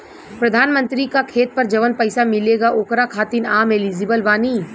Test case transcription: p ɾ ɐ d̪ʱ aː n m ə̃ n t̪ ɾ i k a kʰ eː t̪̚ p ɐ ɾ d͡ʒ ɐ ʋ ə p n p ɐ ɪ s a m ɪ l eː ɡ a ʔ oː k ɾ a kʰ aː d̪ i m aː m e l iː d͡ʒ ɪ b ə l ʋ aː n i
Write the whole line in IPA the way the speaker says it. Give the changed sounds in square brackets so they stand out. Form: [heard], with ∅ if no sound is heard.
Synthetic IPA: p ɾ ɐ d̪ʱ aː n m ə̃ n t̪ ɾ i k a kʰ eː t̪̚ p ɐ ɾ d͡ʒ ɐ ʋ ə [∅] n p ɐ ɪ s a m ɪ l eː ɡ a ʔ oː k ɾ a kʰ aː [t̪] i [n] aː m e l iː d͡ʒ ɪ b ə l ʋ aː n i